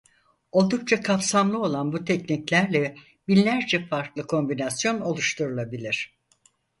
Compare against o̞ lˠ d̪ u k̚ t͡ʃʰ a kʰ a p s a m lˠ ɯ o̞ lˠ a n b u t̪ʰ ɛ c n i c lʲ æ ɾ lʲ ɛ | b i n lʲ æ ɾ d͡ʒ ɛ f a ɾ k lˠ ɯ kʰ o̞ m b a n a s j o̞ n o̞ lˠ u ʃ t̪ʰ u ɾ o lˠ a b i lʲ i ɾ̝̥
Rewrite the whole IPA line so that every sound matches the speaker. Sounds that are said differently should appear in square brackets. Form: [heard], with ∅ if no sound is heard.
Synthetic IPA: o̞ lˠ d̪ u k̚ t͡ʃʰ a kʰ a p s a m lˠ ɯ o̞ lˠ a n b u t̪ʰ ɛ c n i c lʲ æ ɾ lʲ ɛ | b i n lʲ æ ɾ d͡ʒ ɛ f a ɾ k lˠ ɯ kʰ o̞ m b [i] n a s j o̞ n o̞ lˠ u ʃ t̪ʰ u ɾ [u] lˠ a b i lʲ i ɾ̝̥